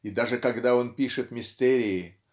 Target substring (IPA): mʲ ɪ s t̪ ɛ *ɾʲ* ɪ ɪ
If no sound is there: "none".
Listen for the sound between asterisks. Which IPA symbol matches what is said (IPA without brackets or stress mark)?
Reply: ɾʲ